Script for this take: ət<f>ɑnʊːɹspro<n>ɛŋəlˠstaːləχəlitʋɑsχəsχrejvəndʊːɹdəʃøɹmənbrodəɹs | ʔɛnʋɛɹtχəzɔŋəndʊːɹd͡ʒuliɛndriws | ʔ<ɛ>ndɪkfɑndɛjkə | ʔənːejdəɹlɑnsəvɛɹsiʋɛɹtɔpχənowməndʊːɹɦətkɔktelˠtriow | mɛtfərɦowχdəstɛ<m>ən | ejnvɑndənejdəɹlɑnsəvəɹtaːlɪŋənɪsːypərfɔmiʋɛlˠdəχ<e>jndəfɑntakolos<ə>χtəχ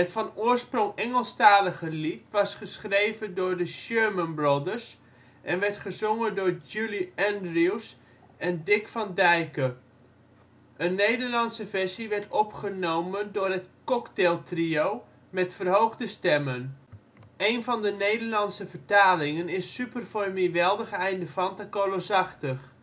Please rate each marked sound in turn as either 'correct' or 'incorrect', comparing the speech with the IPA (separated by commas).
correct, incorrect, correct, correct, incorrect, incorrect